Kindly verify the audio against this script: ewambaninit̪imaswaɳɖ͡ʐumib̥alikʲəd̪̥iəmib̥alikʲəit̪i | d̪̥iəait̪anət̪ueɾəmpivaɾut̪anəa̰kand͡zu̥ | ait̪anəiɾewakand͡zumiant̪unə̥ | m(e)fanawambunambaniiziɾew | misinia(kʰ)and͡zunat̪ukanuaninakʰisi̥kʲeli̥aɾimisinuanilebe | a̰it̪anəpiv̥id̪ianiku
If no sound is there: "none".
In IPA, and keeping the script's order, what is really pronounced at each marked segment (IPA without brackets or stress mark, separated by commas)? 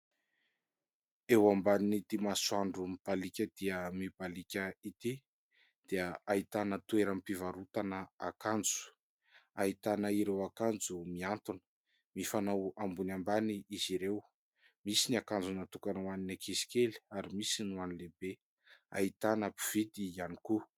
i, k